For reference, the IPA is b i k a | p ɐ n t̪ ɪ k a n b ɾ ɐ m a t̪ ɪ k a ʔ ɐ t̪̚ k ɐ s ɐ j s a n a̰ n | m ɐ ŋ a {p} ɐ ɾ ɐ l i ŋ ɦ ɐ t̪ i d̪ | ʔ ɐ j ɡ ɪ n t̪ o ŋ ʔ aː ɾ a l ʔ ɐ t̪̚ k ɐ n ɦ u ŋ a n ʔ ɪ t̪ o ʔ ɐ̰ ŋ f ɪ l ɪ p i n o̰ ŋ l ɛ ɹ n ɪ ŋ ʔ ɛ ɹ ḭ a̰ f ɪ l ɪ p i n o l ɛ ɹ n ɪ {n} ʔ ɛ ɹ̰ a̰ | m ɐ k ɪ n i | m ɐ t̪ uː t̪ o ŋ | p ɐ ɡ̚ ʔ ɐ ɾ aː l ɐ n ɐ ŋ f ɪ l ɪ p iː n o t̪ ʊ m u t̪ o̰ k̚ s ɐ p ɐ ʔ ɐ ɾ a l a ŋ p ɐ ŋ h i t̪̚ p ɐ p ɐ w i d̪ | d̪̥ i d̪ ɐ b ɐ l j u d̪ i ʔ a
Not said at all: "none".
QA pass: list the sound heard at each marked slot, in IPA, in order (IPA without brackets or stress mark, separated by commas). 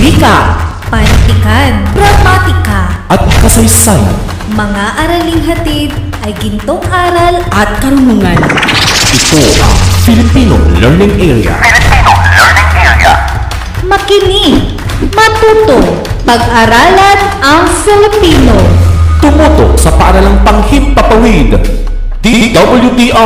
ʔ, ŋ